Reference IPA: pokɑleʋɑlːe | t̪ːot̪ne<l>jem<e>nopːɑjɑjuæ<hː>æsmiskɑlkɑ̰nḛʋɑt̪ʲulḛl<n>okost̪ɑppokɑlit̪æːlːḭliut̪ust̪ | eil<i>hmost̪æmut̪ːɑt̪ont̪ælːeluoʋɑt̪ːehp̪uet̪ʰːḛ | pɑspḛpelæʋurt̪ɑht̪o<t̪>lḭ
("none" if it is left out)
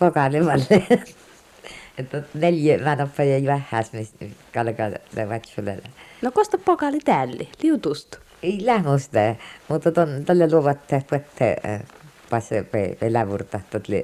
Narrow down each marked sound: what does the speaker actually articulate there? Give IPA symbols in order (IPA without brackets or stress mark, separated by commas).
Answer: l, æ, hː, n, æ, t̪